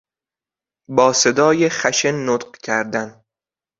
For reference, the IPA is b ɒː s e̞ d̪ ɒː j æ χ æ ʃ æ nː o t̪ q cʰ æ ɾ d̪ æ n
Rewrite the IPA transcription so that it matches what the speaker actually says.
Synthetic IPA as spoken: b ɒː s e̞ d̪ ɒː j e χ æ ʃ e nː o t̪ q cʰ æ ɾ d̪ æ n